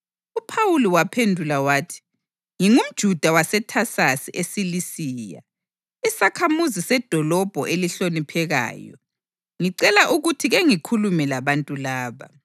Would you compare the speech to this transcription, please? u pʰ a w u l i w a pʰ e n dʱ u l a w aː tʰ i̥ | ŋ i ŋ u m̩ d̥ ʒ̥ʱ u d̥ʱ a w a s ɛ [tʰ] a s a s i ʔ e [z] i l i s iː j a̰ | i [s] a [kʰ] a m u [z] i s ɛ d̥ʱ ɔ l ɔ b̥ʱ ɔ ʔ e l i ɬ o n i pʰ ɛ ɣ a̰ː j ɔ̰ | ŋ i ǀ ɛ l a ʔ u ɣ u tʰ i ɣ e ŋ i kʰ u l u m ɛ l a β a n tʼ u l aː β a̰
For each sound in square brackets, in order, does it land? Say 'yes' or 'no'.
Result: yes, no, yes, yes, yes

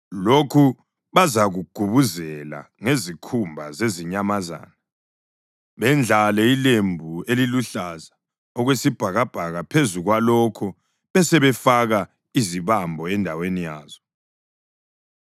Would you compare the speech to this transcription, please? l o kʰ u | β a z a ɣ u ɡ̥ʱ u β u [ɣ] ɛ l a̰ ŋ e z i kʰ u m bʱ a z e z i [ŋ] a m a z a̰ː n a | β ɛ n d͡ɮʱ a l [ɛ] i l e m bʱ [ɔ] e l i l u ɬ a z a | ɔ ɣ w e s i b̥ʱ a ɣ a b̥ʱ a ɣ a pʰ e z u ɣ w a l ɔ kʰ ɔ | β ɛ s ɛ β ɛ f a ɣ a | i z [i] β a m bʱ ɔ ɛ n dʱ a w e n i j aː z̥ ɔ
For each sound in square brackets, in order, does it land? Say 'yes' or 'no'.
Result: no, no, yes, no, yes

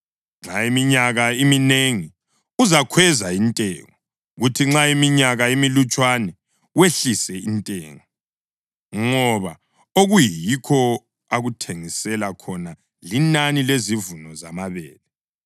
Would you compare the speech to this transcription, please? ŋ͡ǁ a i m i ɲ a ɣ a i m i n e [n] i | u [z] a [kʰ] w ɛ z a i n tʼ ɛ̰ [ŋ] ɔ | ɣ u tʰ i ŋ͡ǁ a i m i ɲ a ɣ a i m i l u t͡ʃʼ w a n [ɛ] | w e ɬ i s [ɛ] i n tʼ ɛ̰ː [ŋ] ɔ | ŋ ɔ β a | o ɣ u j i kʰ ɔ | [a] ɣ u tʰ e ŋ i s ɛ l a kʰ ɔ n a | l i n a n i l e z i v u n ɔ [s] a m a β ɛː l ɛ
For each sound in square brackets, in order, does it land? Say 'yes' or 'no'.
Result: no, yes, yes, yes, yes, yes, yes, yes, no

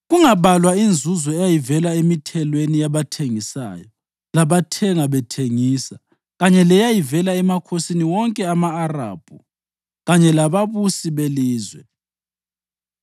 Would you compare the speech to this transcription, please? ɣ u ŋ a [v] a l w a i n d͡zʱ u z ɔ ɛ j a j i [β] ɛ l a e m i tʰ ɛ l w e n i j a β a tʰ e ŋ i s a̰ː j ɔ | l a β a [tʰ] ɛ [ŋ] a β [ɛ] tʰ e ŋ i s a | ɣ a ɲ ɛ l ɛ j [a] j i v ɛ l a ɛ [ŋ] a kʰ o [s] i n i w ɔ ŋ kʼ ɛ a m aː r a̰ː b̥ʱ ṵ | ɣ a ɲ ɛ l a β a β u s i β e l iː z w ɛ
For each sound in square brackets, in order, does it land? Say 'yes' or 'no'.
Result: no, no, yes, yes, yes, yes, no, yes

